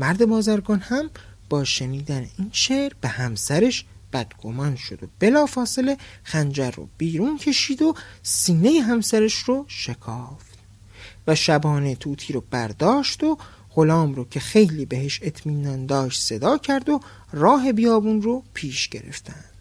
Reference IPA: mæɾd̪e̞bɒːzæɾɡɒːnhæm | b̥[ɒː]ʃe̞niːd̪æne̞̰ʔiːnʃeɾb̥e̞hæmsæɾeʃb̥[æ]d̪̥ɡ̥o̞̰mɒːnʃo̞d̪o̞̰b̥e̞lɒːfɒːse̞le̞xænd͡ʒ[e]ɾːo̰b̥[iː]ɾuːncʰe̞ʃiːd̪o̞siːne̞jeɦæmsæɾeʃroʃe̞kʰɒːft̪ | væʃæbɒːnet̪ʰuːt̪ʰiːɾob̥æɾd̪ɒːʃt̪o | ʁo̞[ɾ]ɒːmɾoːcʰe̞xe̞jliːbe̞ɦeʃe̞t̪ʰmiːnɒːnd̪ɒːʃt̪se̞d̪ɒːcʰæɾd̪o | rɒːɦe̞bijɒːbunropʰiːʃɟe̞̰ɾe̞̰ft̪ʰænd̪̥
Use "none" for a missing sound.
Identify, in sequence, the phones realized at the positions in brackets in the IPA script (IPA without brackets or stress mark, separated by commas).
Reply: ɒː, æ, æ, iː, l